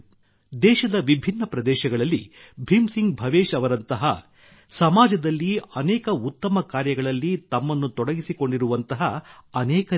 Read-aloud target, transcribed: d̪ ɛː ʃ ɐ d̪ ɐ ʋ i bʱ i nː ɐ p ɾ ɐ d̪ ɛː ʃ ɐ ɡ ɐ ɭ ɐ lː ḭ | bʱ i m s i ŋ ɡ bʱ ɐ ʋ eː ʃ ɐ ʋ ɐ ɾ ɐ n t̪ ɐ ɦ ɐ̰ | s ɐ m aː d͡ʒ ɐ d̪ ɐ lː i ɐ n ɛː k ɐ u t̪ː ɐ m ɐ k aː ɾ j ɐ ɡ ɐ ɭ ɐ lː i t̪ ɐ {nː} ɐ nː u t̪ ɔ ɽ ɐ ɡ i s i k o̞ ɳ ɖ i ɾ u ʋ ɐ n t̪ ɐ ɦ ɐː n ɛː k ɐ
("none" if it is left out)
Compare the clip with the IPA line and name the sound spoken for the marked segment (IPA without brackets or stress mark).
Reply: mː